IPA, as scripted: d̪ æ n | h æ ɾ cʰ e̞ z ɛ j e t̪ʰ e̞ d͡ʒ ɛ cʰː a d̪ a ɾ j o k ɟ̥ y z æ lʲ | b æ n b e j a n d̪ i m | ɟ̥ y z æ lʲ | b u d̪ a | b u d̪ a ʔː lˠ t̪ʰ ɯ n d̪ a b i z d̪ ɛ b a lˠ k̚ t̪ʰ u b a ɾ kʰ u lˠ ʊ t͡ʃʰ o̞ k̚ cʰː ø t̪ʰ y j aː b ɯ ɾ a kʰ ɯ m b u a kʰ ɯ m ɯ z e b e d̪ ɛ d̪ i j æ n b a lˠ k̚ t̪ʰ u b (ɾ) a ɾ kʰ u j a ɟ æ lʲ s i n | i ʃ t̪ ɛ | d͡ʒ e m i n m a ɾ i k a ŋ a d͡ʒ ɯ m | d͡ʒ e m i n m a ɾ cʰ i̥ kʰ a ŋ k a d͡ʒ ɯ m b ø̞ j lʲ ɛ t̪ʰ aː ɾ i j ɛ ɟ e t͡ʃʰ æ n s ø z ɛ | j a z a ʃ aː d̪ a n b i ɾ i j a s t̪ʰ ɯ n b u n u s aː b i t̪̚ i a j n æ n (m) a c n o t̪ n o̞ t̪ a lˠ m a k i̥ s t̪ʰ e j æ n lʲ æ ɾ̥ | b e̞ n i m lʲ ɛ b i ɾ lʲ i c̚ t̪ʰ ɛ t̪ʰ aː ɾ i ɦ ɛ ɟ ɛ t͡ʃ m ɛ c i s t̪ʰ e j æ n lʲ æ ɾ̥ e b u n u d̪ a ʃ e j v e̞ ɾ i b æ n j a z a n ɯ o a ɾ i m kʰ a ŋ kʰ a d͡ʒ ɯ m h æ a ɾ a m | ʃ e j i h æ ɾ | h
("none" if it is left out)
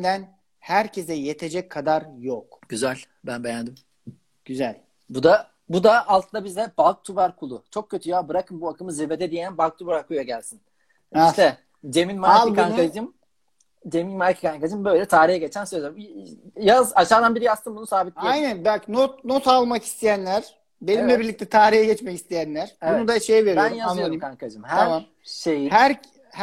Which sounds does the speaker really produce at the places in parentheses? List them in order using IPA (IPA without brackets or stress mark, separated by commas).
ɾ, b